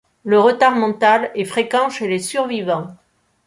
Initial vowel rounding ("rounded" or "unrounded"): unrounded